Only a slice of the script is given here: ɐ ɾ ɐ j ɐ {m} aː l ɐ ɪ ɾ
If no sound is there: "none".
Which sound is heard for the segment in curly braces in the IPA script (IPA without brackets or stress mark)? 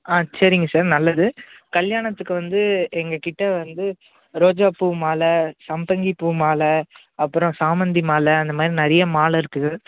m